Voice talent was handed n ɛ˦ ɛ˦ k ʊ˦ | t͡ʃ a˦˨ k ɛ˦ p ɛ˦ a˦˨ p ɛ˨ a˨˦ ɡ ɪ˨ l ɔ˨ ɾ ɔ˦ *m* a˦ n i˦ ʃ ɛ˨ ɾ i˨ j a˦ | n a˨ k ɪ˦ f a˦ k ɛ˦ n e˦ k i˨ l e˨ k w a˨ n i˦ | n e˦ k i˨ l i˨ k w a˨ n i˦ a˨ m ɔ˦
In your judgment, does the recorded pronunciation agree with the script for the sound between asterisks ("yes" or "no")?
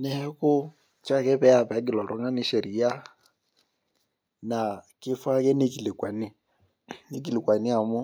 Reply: no